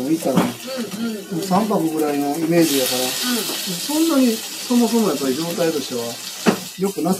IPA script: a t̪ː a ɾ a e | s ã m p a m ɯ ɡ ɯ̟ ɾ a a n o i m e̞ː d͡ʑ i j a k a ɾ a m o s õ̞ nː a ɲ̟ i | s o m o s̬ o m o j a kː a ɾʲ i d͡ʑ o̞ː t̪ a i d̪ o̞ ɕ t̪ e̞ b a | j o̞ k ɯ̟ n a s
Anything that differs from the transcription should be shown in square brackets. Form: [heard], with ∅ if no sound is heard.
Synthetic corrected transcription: [i] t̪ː a ɾ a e | s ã m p a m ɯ ɡ ɯ̟ ɾ a [i] n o i m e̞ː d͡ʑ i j a k a ɾ a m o s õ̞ nː a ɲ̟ i | s o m o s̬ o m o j a [pː] a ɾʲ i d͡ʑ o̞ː t̪ a i [t̪] o̞ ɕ t̪ e̞ [β] a | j o̞ k ɯ̟ n a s